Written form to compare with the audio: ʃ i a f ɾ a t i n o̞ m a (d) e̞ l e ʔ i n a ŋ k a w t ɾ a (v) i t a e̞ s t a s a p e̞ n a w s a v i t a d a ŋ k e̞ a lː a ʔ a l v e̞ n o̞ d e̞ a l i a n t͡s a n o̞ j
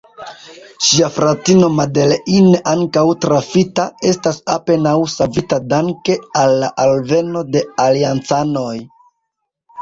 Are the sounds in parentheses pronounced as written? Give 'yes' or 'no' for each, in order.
yes, no

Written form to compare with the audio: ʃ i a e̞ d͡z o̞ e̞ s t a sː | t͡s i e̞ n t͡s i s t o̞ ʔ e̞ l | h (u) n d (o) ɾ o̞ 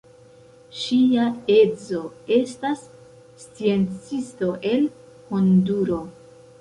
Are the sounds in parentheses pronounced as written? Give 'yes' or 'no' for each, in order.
no, no

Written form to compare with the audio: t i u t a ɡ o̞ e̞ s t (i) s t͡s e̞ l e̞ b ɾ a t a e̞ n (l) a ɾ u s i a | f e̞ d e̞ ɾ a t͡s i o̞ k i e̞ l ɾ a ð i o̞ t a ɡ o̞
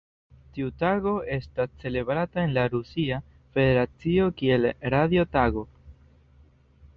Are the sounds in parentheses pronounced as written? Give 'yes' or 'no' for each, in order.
no, yes

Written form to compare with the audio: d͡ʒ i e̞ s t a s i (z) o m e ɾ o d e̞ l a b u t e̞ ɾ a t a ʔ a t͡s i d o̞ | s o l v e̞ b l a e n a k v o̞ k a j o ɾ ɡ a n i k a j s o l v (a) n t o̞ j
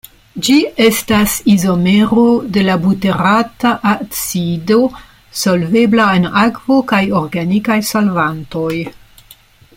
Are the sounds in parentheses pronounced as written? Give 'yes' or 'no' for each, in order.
yes, yes

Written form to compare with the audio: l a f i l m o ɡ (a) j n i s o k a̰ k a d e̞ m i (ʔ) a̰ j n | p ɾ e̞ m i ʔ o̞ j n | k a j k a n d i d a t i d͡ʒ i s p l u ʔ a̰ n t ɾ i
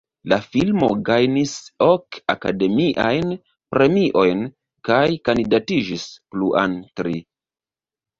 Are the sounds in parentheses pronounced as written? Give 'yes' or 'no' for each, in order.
yes, yes

